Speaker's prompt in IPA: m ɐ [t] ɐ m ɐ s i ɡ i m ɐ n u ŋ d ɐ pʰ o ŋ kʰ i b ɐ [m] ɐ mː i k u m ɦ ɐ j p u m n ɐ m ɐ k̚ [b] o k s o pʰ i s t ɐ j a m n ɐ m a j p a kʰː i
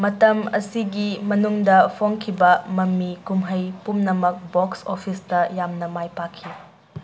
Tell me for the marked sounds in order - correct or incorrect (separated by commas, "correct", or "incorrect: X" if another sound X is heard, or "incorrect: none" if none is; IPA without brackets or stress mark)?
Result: correct, correct, correct